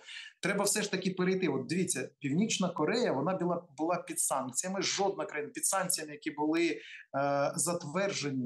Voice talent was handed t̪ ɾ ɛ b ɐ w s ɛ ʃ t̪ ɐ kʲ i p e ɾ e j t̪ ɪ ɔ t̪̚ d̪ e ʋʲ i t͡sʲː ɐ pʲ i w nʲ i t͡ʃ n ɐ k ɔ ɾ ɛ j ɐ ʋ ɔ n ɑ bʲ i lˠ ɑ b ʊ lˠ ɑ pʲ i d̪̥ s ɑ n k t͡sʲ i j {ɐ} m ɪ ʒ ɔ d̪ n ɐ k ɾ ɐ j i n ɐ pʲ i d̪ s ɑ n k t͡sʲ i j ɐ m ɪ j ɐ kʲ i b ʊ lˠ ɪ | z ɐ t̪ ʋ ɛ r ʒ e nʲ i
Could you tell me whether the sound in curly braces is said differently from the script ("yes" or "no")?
no